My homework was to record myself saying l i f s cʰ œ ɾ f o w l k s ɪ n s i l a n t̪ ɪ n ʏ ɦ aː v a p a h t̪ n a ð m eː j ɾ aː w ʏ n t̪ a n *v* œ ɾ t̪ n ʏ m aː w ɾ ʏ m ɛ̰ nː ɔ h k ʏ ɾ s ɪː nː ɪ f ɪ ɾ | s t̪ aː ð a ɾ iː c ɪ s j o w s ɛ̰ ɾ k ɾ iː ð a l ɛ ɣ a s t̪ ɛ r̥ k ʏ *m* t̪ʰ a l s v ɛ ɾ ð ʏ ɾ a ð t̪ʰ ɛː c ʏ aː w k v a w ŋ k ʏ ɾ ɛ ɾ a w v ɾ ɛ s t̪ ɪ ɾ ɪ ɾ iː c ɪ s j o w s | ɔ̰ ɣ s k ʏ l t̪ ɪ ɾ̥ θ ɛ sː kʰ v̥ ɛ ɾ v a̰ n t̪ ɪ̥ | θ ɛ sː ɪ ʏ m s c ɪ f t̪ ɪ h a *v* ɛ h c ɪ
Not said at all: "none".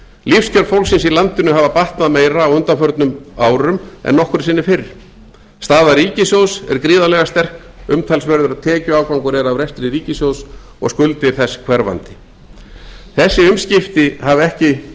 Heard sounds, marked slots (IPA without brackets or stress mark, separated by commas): f, m, v